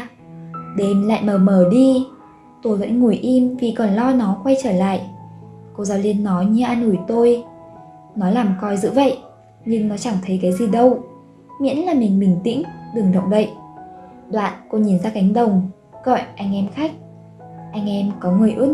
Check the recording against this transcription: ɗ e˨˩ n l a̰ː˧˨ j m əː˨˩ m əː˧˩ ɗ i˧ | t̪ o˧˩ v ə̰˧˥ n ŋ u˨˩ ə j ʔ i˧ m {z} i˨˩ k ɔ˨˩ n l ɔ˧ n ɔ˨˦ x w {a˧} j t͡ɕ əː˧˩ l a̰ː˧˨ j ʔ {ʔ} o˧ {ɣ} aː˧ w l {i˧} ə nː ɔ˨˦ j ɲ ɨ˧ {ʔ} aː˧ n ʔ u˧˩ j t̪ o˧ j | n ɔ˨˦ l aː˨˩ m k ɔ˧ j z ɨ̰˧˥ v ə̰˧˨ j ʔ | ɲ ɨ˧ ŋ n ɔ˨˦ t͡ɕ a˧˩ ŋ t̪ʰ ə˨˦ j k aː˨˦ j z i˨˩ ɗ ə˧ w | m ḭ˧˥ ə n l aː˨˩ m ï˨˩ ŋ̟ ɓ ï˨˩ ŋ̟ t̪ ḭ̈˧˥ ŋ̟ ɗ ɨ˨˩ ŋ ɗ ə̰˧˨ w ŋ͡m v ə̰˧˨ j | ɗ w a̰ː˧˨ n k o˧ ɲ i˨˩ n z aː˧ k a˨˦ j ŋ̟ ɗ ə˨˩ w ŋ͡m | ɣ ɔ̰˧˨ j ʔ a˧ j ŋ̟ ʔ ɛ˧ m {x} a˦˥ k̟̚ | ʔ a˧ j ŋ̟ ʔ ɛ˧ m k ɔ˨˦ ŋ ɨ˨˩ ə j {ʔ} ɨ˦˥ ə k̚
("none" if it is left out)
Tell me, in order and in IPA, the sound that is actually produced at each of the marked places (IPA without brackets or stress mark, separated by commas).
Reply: v, a˧, k, z, i˧, ʔ, x, ʔ